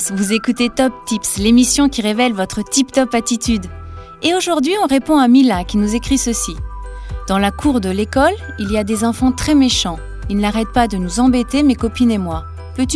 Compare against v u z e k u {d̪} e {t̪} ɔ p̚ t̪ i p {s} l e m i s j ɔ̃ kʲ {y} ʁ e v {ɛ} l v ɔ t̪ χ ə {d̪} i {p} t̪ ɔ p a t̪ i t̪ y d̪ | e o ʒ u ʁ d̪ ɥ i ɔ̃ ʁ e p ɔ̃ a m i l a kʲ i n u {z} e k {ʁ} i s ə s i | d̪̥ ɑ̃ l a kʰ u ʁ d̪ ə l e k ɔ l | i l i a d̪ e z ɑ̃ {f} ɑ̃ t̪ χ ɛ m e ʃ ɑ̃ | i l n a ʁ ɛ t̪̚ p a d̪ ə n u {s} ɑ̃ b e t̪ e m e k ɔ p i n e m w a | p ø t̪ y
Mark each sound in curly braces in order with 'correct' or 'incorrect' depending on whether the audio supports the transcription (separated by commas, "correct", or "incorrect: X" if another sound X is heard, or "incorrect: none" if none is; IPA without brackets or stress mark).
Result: incorrect: t̪, correct, correct, incorrect: i, correct, incorrect: t̪, correct, correct, incorrect: χ, correct, incorrect: z